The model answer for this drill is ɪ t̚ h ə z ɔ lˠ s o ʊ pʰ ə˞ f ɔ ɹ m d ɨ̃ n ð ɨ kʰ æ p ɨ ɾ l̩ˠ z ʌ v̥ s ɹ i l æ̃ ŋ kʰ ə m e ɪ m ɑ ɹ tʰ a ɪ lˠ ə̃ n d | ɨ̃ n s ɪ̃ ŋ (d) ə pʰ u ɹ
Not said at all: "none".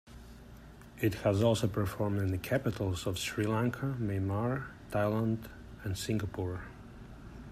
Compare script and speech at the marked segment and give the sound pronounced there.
ɡ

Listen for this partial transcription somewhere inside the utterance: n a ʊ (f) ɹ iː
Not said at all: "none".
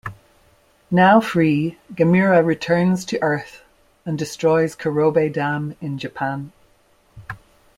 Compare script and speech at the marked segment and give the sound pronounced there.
f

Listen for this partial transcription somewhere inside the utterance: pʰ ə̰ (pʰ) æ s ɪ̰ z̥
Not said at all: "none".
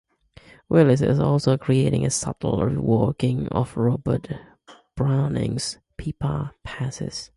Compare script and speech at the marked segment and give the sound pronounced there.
pʰ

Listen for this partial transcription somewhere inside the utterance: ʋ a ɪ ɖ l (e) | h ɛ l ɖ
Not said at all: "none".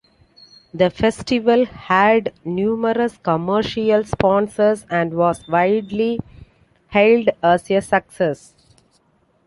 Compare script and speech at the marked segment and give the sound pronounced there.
i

